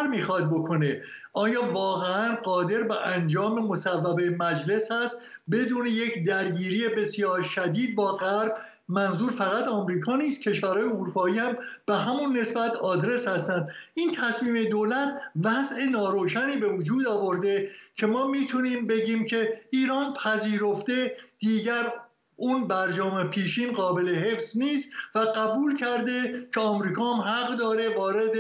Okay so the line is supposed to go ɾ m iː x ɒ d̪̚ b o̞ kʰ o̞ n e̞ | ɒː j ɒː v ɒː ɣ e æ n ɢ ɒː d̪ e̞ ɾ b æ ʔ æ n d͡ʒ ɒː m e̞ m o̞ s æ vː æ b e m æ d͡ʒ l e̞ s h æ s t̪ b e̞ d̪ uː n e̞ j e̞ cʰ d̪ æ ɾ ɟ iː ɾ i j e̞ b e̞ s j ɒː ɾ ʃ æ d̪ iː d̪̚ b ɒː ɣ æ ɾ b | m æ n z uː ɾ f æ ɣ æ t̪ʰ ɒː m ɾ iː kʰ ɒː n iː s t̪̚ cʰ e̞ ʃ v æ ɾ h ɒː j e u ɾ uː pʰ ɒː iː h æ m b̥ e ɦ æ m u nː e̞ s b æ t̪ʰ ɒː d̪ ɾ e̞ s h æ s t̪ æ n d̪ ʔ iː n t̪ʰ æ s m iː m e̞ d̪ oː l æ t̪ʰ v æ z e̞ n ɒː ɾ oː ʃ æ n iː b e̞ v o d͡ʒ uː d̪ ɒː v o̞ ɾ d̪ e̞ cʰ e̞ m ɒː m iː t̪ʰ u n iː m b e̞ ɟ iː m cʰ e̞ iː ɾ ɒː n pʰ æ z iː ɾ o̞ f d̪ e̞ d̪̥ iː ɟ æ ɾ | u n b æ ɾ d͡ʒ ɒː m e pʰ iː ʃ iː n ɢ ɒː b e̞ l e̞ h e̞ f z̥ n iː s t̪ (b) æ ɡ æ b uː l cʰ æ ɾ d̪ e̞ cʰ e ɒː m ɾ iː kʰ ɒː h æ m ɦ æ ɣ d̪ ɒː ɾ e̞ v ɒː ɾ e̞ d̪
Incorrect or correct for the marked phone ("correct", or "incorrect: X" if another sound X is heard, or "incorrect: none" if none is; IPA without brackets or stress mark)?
incorrect: v